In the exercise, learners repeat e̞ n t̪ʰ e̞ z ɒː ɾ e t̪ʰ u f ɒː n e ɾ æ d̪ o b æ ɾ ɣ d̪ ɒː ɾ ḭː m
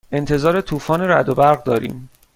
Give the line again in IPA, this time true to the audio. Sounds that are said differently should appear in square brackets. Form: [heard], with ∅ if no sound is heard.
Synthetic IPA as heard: e̞ n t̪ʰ e̞ z ɒː ɾ e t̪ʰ [uː] f ɒː n e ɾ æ d̪ o b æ ɾ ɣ d̪ ɒː ɾ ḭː m